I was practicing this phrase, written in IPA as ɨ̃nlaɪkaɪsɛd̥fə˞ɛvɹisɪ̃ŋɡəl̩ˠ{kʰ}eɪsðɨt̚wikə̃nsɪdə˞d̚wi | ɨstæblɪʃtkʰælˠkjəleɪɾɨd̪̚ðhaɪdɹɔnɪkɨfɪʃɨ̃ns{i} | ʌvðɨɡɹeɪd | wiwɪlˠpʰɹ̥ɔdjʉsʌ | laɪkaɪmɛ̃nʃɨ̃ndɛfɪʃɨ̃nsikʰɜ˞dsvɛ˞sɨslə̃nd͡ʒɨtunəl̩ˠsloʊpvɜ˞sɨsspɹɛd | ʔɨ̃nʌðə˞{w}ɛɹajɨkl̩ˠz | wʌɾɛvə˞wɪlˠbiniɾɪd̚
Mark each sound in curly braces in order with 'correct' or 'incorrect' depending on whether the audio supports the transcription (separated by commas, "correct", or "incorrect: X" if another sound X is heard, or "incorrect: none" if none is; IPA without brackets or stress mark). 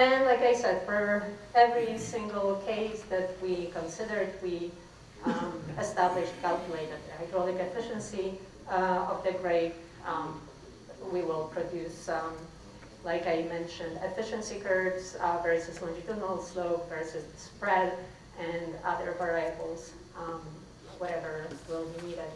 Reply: correct, correct, incorrect: v